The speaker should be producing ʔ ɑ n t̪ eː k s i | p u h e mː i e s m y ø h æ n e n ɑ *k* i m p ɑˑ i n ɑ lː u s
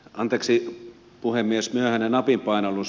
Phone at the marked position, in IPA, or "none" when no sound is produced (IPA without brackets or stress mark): p